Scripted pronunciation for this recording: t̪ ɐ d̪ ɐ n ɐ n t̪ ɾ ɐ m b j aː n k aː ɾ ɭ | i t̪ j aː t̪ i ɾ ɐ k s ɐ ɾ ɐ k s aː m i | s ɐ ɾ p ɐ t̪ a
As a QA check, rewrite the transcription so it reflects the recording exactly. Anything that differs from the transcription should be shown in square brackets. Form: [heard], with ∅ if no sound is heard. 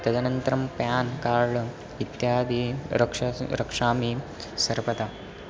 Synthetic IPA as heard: t̪ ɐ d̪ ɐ n ɐ n t̪ ɾ ɐ m [p] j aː n k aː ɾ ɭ | i t̪ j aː [d̪] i ɾ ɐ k [ʂ] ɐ ɾ ɐ k [ʂ] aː m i | s ɐ ɾ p ɐ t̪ a